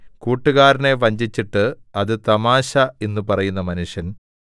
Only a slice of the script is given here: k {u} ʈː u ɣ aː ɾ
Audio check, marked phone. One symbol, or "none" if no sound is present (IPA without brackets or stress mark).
uː